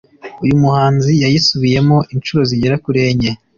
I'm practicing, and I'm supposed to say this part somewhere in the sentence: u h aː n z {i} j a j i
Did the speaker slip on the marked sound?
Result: no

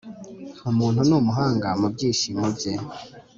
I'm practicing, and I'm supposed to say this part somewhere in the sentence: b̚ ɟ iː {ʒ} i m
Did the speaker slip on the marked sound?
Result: yes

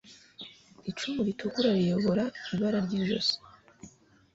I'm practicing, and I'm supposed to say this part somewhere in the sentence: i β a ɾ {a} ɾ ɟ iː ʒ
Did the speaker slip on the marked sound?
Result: no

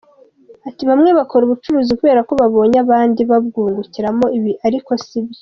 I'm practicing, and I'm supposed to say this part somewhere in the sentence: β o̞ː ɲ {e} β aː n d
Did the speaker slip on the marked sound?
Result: yes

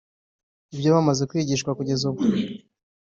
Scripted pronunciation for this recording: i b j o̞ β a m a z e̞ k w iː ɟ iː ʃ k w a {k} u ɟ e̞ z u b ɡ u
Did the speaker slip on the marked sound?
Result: no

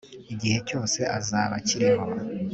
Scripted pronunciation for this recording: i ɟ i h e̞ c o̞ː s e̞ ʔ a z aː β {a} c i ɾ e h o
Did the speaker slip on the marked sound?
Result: no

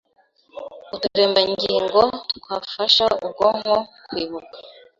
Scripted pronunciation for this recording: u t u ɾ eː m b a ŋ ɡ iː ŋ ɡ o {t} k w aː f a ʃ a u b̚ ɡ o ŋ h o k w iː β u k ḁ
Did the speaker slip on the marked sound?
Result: no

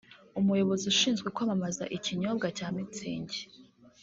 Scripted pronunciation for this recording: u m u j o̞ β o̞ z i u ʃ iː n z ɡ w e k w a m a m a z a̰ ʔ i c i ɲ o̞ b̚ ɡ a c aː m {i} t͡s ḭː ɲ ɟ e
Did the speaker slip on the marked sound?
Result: no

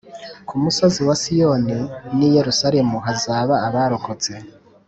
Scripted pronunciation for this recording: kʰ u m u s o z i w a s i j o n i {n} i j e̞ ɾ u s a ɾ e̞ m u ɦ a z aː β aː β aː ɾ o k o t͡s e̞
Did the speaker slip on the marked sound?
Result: no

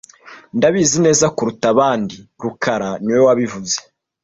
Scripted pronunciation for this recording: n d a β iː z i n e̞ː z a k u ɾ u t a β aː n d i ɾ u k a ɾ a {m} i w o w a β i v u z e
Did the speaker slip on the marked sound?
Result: yes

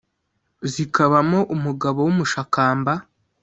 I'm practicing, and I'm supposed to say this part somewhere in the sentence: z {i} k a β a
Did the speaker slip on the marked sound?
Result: no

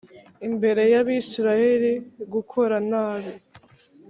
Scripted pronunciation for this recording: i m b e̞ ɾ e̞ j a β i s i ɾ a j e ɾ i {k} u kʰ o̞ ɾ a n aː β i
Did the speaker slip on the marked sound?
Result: yes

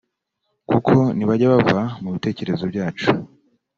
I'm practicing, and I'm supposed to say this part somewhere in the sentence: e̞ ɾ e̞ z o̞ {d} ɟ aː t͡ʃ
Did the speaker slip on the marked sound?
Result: yes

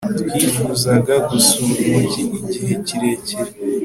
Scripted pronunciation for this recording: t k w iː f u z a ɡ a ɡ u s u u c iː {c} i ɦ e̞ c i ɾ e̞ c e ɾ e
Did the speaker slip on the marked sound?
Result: yes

